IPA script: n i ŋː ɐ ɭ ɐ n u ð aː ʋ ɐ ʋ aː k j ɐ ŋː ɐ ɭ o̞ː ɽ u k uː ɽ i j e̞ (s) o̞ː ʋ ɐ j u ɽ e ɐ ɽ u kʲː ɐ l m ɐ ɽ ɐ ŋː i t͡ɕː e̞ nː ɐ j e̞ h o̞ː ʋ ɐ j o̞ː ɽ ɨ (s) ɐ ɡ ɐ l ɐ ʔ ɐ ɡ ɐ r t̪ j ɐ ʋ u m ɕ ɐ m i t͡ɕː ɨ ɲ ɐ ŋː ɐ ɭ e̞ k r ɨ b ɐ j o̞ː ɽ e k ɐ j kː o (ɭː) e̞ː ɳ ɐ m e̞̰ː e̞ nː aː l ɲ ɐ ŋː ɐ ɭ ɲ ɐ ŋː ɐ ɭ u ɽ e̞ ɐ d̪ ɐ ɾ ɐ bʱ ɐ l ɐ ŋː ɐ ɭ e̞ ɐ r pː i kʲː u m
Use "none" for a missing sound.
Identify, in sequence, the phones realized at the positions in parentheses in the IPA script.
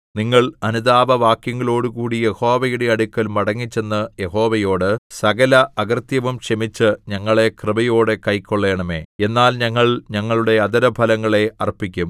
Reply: h, s, ɭː

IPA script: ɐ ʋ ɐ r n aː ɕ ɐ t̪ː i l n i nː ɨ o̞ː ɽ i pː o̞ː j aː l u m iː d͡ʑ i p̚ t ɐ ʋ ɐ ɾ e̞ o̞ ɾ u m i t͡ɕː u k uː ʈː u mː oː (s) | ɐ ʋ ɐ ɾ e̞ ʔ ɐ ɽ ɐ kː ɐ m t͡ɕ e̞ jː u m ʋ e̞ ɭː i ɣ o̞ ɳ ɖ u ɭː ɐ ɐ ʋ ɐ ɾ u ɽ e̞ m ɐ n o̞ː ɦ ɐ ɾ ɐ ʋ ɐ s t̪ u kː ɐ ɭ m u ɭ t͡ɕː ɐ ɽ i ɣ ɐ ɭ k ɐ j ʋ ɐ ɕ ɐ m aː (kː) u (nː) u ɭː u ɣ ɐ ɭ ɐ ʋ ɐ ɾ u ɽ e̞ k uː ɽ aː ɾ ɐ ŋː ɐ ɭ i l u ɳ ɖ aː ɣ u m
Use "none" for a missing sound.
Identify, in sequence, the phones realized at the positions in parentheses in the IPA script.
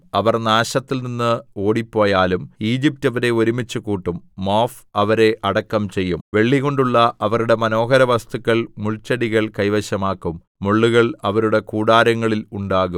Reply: f, kː, mː

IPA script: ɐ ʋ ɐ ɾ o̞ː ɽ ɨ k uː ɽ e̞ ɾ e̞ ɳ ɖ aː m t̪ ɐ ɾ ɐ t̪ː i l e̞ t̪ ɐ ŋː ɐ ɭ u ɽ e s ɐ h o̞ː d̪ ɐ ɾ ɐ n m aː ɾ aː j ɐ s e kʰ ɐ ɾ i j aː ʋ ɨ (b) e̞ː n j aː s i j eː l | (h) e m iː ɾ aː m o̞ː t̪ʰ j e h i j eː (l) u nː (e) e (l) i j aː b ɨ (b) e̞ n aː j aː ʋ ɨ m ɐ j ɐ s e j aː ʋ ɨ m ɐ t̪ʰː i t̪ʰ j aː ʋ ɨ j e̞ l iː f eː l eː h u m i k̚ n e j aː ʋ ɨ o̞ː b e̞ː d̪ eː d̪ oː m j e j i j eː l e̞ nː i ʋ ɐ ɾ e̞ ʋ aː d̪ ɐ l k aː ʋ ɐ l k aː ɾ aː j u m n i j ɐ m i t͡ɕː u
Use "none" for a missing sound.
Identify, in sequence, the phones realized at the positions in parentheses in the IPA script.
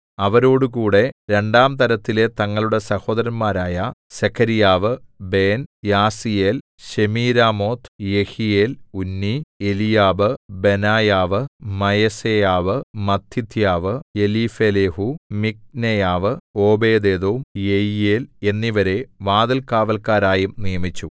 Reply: b, ɕ, l, i, l, b

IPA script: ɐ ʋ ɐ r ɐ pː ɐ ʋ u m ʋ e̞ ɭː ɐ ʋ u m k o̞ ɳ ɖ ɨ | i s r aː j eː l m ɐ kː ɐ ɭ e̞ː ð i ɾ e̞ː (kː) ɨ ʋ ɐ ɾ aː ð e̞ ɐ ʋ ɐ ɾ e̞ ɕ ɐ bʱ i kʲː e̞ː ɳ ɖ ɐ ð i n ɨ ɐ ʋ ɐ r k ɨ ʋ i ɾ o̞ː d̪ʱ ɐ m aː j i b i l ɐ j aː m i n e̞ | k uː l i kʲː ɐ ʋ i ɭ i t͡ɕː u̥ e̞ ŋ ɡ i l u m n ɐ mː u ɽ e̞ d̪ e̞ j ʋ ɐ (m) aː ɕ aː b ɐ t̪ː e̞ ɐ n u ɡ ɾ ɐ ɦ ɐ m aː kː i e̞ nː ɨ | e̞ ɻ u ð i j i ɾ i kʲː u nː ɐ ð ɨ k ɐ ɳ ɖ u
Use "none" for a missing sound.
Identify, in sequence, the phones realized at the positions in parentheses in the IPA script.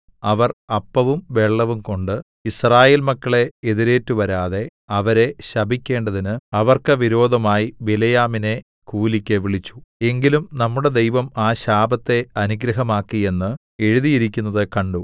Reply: tː, m

